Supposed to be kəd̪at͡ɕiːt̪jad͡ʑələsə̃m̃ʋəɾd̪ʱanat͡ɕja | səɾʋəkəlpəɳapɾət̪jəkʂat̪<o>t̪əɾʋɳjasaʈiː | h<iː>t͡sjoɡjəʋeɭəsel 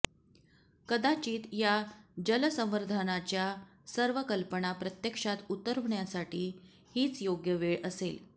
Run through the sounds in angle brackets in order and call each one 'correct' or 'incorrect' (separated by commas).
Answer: incorrect, correct